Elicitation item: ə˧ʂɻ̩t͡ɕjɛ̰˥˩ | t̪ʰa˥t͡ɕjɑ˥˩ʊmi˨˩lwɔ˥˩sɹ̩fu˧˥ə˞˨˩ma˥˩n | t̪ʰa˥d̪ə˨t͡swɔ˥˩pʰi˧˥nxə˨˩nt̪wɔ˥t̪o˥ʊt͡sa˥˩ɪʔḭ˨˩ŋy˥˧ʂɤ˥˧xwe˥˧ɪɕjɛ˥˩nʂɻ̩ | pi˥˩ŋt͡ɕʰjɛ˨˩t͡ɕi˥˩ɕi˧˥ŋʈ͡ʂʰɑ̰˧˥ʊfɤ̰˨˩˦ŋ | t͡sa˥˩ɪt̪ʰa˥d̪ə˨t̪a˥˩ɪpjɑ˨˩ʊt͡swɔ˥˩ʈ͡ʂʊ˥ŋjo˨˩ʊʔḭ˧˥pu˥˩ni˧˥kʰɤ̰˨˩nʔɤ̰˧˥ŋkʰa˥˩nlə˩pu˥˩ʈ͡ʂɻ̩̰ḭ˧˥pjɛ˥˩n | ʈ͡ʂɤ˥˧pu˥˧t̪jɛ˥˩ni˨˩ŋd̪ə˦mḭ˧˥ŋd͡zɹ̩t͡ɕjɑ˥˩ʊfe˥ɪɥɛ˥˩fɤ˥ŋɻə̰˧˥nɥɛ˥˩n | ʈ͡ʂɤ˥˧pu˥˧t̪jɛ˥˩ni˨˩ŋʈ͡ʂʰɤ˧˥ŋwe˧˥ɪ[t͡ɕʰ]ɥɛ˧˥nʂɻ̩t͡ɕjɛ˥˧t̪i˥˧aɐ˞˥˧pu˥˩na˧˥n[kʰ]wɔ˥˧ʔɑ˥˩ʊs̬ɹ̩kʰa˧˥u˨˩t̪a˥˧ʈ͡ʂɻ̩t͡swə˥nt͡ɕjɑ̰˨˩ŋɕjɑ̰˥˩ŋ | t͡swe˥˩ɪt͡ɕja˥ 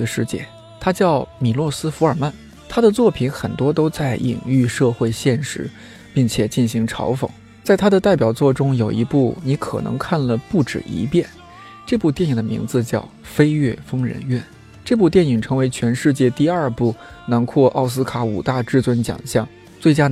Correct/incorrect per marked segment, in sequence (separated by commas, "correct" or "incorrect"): correct, correct